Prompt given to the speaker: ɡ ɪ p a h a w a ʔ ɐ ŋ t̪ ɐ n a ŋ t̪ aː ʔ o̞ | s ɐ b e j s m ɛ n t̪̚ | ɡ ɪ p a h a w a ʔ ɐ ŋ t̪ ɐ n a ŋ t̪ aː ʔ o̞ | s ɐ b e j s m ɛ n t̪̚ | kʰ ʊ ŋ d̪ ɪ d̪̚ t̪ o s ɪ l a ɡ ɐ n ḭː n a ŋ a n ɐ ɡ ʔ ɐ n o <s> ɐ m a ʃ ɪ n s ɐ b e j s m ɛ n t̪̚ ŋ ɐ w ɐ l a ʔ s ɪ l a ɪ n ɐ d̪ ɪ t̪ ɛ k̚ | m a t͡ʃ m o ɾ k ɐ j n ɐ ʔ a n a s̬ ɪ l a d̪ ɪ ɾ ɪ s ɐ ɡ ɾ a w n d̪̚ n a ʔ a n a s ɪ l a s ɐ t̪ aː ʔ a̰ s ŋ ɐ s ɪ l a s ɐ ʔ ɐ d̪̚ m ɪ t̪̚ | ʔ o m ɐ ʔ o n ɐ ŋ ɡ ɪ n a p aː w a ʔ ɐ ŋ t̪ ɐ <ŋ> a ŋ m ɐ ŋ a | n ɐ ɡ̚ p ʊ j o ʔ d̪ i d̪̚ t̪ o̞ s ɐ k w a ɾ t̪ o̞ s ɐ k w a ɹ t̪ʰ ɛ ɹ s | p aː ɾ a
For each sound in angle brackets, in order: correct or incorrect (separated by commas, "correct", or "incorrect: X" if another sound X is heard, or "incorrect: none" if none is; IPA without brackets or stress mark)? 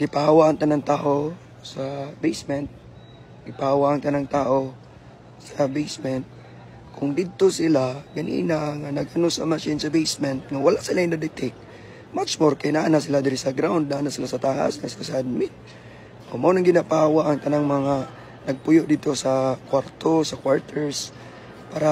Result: correct, incorrect: n